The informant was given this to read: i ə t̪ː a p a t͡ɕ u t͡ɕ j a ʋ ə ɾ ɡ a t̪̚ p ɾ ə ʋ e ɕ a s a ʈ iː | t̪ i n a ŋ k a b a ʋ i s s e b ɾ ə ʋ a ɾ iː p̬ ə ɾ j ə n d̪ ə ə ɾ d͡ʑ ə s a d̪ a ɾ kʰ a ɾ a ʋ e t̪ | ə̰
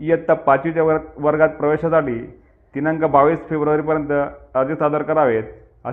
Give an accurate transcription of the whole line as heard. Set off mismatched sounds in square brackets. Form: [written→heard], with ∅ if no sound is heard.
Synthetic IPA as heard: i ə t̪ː a p a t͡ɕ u t͡ɕ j a ʋ ə ɾ ɡ a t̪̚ p ɾ ə ʋ e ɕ a s a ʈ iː | t̪ i n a ŋ k a b a ʋ i s [s→f] e b ɾ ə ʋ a ɾ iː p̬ ə ɾ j ə n [d̪→t̪] ə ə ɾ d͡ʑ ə s a d̪ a ɾ [kʰ→k] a ɾ a ʋ e t̪ | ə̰